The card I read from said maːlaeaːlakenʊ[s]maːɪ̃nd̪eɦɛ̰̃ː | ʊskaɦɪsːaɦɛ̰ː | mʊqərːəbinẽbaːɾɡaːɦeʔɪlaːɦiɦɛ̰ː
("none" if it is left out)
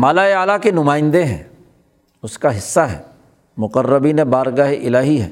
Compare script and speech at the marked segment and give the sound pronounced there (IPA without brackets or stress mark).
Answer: none